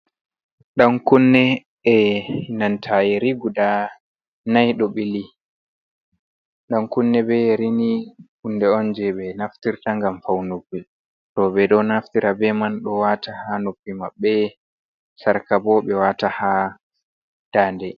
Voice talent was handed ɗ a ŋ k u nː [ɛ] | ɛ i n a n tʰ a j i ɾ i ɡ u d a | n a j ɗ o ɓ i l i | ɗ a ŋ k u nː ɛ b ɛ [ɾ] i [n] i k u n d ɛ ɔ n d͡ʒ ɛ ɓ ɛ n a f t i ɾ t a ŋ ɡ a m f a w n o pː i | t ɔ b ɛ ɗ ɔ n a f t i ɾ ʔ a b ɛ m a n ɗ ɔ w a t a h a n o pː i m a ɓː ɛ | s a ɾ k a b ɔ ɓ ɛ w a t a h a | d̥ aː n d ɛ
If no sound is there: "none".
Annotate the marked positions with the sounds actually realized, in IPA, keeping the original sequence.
ɛ, ɾ, n

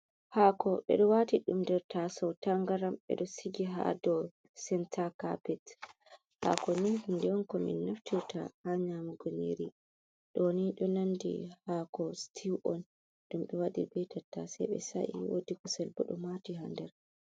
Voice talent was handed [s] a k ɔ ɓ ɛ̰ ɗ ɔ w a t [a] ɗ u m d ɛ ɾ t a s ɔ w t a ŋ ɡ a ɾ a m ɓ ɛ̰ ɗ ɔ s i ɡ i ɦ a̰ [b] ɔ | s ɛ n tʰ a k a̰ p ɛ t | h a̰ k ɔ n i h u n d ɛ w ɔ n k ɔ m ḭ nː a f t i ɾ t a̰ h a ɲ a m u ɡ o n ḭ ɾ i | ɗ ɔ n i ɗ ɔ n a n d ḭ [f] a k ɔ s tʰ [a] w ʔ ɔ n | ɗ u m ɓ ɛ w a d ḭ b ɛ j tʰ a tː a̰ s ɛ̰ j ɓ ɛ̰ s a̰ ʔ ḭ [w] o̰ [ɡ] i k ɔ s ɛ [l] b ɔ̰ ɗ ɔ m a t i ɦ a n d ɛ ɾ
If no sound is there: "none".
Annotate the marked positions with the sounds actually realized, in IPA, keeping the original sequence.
h, i, d, h, i, w, d, l

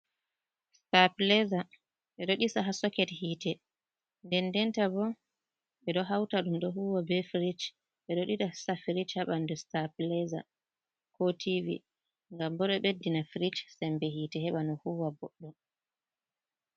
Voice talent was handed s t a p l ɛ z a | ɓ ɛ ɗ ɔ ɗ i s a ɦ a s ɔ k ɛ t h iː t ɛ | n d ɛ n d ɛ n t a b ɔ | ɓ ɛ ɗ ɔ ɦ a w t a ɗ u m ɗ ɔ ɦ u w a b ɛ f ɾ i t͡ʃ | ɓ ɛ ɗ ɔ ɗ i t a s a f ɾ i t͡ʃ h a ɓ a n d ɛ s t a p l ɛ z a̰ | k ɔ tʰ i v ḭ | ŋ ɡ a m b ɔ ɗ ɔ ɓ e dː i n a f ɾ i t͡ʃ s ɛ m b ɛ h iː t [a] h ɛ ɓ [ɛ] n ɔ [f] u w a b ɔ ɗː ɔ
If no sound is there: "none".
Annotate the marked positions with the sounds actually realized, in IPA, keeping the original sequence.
ɛ, a, h

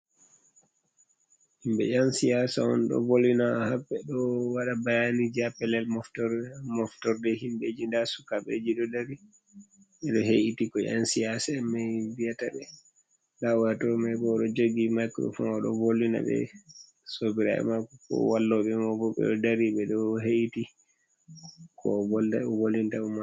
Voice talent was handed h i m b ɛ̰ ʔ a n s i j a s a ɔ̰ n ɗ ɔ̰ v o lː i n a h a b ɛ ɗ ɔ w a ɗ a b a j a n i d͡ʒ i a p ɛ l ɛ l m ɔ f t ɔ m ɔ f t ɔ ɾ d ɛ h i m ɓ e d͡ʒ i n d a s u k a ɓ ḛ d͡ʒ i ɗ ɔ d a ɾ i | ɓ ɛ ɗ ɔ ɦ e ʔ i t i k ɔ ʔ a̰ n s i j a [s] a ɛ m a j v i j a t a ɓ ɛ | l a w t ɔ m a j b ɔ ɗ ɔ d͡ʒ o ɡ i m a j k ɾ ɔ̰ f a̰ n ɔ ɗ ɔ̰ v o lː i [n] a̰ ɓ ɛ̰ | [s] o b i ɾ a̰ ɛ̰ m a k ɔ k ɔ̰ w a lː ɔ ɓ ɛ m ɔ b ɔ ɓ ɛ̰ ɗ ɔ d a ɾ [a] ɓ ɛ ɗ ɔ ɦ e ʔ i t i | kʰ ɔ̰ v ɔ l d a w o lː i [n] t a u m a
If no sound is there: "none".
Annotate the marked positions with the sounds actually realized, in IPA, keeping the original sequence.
s, n, s, i, n

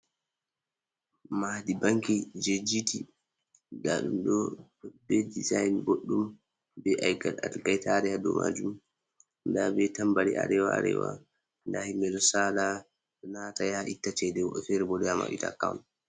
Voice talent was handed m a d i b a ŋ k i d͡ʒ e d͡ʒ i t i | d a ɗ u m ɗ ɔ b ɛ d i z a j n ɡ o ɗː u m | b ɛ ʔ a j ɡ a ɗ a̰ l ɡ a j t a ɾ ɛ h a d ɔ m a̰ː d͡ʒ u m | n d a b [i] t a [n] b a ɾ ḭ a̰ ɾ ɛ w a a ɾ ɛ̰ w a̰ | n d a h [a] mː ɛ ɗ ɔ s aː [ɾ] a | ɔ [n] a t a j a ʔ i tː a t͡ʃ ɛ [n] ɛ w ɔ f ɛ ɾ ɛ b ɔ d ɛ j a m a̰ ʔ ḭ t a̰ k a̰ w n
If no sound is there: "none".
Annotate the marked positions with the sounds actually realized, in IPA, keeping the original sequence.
ɛ, m, i, l, n, d

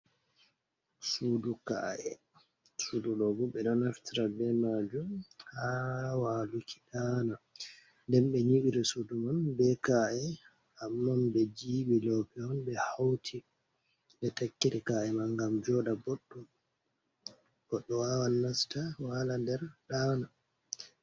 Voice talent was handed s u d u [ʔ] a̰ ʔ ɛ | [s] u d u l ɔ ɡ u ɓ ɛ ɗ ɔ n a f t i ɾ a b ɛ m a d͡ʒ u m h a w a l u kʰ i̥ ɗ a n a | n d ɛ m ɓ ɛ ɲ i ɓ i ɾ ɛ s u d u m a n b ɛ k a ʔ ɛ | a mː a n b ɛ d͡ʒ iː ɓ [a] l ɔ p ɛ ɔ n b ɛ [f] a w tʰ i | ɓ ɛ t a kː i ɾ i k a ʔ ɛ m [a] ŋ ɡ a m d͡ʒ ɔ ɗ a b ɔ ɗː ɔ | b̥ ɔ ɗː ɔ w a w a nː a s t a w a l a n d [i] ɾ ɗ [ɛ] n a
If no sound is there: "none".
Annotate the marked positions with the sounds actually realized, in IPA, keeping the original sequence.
k, s, i, h, a, ɛ, a

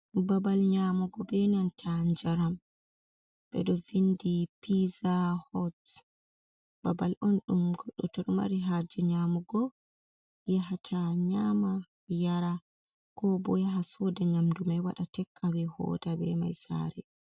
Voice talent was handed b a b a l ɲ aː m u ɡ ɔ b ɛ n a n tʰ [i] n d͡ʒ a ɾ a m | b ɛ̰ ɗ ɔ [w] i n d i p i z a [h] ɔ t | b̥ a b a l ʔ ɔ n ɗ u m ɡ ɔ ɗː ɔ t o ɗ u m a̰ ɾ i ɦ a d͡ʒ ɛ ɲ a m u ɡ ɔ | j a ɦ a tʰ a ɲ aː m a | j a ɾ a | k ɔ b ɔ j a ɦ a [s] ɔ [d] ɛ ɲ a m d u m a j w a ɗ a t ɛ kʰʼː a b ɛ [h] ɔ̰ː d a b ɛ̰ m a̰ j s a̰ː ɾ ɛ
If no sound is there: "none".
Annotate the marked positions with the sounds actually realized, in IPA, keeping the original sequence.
a, v, h, s, d, h

